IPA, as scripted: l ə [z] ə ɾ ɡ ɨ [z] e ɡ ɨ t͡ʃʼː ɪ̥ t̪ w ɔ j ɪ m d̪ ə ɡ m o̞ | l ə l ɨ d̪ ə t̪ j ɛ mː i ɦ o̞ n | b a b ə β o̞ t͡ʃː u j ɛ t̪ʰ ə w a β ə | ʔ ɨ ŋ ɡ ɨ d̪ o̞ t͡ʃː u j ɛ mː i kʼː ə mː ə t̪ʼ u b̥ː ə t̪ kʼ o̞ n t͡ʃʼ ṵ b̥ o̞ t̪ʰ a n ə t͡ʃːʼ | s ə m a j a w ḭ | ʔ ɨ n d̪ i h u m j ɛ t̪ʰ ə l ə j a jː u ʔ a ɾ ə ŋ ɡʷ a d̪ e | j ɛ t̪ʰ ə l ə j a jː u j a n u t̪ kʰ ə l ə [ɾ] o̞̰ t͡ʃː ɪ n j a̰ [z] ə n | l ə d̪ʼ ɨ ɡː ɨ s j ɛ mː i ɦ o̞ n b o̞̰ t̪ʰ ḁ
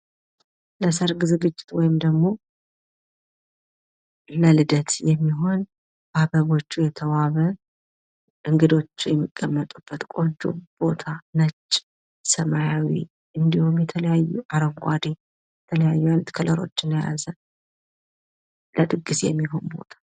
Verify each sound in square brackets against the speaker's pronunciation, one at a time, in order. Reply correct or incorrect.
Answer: incorrect, correct, correct, correct

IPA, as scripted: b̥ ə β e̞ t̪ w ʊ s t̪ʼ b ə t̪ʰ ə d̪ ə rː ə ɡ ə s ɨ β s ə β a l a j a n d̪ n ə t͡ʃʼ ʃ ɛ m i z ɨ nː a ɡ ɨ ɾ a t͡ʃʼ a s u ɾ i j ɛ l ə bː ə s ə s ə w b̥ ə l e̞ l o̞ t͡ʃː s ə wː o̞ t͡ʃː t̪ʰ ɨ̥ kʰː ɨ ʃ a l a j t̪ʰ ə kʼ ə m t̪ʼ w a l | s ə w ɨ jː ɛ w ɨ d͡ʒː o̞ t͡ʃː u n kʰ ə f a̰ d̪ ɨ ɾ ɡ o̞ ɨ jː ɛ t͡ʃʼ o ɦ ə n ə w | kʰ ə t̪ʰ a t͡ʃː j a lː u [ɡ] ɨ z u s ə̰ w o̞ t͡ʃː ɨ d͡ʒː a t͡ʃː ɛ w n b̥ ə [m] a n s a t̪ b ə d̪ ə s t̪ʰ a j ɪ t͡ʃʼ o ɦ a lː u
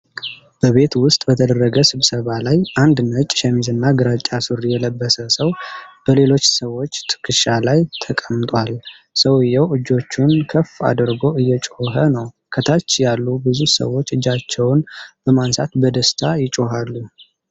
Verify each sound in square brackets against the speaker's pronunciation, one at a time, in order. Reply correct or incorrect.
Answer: incorrect, correct

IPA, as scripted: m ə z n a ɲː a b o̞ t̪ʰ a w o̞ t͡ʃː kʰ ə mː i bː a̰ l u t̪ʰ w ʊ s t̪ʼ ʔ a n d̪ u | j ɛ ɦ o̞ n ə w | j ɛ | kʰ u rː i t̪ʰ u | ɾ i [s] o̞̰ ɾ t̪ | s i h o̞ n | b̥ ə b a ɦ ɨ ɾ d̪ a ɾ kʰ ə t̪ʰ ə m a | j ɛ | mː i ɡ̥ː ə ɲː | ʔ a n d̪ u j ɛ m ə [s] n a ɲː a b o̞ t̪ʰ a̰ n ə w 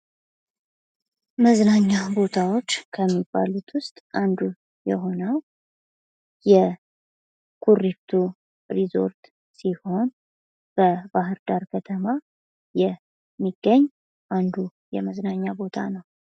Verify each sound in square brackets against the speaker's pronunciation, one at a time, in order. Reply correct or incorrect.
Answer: incorrect, incorrect

